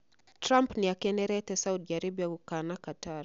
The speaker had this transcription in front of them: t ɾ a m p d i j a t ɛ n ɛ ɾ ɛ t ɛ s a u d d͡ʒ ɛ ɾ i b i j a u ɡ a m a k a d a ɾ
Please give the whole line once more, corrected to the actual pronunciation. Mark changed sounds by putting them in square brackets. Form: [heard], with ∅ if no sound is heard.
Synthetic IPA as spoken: t ɾ a m p [n] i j a [k] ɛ n ɛ ɾ ɛ t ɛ s a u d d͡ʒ [a] ɾ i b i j a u [k] a [n] a k a [t] a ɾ